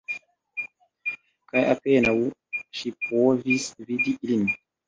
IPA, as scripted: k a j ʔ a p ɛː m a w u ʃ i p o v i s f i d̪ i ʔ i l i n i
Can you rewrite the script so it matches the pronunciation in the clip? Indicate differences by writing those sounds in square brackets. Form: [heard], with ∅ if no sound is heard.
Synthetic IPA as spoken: k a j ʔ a p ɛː [n] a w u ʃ i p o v i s [v] i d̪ i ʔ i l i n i